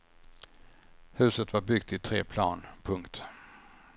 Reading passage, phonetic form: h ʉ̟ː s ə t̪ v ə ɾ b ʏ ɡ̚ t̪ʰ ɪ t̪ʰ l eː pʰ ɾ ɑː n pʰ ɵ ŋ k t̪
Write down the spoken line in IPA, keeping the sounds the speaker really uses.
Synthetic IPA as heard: h ʉ̟ː s ə t̪ v a ɾ b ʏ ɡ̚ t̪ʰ ɪ t̪ʰ ɾ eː pʰ l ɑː n pʰ ɵ ŋ k t̪